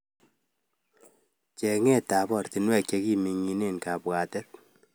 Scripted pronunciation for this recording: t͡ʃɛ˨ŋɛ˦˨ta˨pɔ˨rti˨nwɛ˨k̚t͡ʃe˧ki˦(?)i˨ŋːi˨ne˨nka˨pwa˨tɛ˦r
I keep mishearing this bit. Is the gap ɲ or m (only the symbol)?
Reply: m